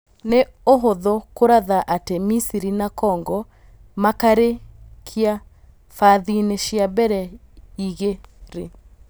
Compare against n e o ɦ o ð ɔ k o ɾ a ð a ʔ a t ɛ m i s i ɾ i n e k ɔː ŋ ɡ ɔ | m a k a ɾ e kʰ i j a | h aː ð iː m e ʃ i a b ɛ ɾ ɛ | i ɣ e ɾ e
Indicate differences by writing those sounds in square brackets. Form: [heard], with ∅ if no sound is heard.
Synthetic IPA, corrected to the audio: n e o ɦ o ð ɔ k o ɾ a ð a ʔ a t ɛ m i s i ɾ i n [a] k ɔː ŋ ɡ ɔ | m a k a ɾ e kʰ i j a | [f] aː ð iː [n] e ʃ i a b ɛ ɾ ɛ | i ɣ e ɾ e